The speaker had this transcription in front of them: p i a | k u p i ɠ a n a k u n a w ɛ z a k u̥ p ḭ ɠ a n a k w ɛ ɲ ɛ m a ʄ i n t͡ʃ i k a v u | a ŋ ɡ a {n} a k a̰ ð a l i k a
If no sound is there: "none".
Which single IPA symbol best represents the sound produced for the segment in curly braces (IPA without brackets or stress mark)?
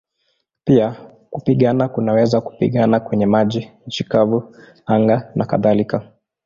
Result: n